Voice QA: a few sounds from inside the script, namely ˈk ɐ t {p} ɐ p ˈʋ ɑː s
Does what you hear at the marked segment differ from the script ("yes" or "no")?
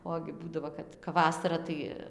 yes